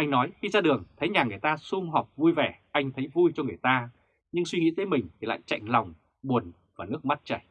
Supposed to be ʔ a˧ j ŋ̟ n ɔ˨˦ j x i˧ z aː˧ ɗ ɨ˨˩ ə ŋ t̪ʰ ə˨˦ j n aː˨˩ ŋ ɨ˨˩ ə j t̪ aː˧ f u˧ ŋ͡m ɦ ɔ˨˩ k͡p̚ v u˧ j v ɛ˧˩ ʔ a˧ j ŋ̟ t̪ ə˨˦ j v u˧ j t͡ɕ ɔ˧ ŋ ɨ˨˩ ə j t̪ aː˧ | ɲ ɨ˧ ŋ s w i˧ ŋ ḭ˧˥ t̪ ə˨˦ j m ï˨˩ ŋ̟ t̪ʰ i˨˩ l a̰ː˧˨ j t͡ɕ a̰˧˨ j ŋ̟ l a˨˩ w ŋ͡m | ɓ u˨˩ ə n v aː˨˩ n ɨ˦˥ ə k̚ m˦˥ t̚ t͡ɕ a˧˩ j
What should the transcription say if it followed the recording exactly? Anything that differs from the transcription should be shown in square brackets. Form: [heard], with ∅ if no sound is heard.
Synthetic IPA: ʔ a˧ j ŋ̟ n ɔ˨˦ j x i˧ z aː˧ ɗ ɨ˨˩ ə ŋ t̪ʰ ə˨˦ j [ɲ] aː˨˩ ŋ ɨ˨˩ ə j t̪ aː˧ [s] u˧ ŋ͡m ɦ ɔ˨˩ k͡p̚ v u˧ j v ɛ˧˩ ʔ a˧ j ŋ̟ [t̪ʰ] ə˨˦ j v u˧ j t͡ɕ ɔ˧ ŋ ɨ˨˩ ə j t̪ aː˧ | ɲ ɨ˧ ŋ s w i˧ ŋ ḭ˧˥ t̪ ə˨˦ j m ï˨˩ ŋ̟ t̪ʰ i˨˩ l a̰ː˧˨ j t͡ɕ a̰˧˨ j ŋ̟ l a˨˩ w ŋ͡m | ɓ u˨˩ ə n v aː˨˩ n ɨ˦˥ ə k̚ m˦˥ t̚ t͡ɕ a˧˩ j

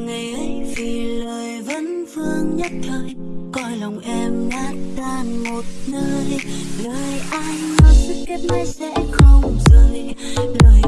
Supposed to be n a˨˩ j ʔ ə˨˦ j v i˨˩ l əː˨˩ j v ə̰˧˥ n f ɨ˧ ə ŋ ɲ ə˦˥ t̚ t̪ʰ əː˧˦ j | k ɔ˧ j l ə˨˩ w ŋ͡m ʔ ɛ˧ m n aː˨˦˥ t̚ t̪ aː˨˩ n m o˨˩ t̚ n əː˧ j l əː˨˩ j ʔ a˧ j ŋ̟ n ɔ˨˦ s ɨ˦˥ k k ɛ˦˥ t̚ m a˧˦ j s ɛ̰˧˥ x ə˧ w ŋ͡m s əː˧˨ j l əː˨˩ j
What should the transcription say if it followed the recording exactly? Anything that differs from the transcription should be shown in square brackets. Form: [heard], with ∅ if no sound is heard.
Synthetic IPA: [ŋ] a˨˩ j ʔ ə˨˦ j v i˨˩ l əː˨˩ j v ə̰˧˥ n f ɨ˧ ə ŋ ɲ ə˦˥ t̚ t̪ʰ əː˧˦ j | k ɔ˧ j l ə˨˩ w ŋ͡m ʔ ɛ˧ m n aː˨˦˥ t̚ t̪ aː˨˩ n m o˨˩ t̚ n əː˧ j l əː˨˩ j ʔ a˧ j ŋ̟ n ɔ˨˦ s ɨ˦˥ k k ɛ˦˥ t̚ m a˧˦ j s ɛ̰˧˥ x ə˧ w ŋ͡m [z] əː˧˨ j l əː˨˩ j

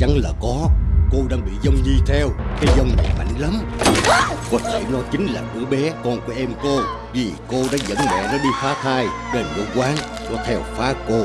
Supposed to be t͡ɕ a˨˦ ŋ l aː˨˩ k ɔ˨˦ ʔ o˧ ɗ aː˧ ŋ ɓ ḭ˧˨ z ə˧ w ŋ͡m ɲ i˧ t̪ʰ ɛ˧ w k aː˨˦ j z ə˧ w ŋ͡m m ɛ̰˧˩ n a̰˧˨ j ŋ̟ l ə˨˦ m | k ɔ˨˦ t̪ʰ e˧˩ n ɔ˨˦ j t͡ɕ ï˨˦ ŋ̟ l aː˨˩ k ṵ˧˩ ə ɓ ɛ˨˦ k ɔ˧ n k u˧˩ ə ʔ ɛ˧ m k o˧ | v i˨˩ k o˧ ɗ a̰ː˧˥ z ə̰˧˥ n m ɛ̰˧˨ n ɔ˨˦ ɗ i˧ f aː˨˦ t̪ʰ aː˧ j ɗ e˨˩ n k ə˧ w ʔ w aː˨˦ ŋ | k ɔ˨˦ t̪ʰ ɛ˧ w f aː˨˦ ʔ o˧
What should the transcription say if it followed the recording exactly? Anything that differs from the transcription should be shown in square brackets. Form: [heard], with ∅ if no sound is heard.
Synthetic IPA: t͡ɕ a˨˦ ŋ l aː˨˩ k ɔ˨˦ [k] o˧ ɗ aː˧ ŋ ɓ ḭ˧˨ z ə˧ w ŋ͡m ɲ i˧ t̪ʰ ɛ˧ w k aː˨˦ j z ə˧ w ŋ͡m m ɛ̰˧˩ [m] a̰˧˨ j ŋ̟ l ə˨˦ m | k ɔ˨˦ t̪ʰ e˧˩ n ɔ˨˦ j t͡ɕ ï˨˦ ŋ̟ l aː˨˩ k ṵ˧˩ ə ɓ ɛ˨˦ k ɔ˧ n k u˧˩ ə ʔ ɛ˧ m k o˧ | v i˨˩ k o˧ ɗ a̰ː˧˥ z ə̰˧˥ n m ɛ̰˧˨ n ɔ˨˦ ɗ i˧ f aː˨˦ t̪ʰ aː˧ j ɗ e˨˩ n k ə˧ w [k] w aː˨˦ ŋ | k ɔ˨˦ t̪ʰ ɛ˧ w f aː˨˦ [k] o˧

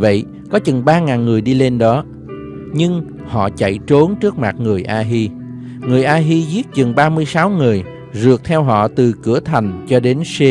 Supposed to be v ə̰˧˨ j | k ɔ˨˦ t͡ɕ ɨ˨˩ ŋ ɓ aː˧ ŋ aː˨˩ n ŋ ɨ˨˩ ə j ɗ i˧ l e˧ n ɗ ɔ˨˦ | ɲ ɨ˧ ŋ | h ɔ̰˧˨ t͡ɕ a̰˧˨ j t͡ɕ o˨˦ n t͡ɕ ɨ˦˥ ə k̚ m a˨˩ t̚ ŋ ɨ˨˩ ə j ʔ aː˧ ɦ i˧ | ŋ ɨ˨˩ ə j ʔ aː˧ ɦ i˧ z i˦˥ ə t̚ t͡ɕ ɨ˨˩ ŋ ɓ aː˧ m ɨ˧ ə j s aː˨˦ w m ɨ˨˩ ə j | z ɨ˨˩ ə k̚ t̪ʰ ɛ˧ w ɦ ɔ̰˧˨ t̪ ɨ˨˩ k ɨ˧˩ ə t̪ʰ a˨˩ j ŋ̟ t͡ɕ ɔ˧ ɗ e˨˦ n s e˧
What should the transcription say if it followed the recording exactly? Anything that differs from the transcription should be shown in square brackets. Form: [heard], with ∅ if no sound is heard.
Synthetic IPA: v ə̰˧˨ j | k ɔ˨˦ t͡ɕ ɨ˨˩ ŋ ɓ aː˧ ŋ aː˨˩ n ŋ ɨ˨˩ ə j ɗ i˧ l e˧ n ɗ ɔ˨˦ | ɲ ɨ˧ ŋ | h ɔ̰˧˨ t͡ɕ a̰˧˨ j t͡ɕ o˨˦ n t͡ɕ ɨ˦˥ ə k̚ m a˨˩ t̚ ŋ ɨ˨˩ ə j ʔ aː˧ ɦ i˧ | ŋ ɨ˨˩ ə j ʔ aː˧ ɦ i˧ z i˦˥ ə t̚ t͡ɕ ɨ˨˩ ŋ ɓ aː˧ m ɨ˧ ə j s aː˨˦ w [ŋ] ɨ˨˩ ə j | z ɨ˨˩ ə k̚ t̪ʰ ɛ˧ w ɦ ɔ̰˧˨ t̪ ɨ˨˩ k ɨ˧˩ ə t̪ʰ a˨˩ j ŋ̟ t͡ɕ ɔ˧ ɗ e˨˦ n s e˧

